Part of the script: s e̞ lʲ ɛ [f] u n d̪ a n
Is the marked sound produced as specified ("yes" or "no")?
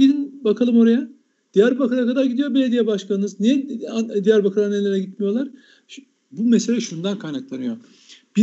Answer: no